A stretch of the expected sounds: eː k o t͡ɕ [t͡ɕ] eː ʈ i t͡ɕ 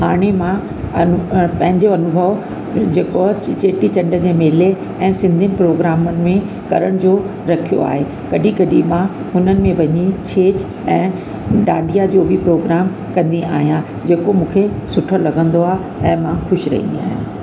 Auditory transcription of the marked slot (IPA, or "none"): t͡ɕ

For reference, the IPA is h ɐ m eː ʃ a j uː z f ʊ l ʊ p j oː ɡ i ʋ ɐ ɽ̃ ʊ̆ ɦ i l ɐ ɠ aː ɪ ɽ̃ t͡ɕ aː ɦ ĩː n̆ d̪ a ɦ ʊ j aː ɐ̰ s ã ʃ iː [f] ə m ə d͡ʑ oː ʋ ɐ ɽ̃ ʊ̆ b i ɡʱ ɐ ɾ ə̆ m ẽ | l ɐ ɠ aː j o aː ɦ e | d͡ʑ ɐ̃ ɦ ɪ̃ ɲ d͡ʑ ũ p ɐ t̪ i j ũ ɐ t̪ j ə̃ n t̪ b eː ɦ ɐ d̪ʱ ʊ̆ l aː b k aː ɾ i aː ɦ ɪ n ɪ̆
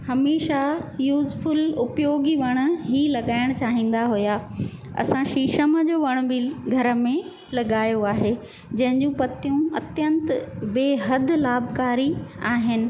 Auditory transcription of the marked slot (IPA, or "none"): ʃ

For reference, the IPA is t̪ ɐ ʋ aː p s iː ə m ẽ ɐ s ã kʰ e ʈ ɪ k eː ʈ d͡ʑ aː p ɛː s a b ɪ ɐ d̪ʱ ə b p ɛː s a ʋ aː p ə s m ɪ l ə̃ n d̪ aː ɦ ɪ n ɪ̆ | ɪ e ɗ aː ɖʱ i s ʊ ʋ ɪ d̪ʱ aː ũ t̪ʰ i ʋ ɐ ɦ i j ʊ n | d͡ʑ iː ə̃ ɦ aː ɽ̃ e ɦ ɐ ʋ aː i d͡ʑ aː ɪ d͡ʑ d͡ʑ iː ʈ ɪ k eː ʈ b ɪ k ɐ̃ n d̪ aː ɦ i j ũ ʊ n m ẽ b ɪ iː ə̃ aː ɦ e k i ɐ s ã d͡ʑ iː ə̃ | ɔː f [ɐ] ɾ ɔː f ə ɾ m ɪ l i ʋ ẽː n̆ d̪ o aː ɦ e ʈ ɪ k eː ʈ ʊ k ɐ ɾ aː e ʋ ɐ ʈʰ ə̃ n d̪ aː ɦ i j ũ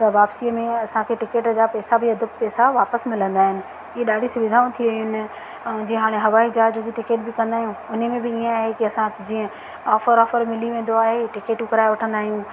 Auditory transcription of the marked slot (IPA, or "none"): ə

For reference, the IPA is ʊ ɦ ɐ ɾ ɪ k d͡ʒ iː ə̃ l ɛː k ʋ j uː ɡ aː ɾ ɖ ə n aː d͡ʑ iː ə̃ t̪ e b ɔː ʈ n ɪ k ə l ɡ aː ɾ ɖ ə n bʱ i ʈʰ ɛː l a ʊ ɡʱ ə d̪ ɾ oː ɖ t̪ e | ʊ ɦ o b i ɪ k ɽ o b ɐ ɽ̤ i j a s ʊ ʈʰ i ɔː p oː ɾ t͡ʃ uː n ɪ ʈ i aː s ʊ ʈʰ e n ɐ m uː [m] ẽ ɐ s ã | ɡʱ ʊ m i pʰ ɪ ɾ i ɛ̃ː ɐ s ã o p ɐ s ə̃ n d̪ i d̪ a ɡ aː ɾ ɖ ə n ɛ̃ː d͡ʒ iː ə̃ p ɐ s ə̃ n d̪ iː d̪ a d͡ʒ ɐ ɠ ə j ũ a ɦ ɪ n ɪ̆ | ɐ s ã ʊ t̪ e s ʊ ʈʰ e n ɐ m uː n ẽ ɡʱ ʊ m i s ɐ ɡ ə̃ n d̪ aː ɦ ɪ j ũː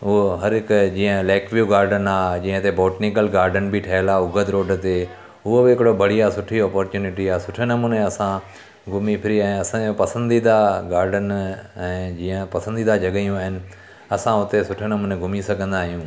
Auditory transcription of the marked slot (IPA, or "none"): n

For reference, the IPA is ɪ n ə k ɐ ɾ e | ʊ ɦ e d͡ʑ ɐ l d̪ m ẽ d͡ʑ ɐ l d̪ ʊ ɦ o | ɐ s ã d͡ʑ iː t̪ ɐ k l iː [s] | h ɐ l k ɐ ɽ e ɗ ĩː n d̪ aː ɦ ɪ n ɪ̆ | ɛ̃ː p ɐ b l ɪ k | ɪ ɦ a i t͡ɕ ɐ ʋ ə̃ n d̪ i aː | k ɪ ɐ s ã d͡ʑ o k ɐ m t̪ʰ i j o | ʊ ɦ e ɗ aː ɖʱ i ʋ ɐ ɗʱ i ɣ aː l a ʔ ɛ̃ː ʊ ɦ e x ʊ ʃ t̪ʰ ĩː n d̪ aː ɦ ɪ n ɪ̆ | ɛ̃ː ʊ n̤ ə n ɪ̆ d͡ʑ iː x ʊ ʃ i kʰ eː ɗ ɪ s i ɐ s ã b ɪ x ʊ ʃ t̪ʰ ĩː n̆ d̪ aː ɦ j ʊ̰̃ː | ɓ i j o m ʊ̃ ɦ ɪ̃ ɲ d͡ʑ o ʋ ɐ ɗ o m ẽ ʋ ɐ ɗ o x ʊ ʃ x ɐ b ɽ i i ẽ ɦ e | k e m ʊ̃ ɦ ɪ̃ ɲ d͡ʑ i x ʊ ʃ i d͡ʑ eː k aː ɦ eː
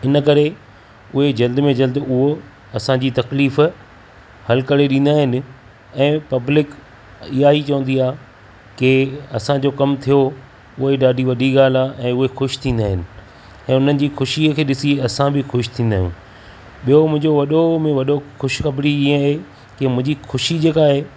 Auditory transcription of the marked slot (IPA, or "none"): f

